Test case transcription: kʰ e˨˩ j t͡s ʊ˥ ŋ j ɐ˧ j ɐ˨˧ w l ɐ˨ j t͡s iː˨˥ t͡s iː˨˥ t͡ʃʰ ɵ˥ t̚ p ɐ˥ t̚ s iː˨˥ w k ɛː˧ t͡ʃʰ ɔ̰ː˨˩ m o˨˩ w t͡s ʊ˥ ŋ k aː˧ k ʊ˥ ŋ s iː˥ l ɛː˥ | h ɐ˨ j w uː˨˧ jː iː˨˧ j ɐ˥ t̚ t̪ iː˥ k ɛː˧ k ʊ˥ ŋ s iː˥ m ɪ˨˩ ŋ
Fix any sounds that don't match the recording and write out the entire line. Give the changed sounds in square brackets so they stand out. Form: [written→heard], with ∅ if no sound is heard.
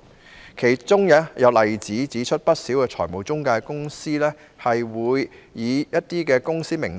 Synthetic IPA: kʰ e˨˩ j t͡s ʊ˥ ŋ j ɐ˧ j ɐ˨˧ w l ɐ˨ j t͡s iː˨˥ t͡s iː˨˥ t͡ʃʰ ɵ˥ t̚ p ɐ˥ t̚ s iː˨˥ w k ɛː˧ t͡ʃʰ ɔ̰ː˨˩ m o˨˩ w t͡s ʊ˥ ŋ k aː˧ k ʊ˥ ŋ s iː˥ l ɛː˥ | h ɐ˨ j w uː˨˧ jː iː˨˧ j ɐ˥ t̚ t̪ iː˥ k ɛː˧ k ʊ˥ ŋ s iː˥ m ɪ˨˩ ŋ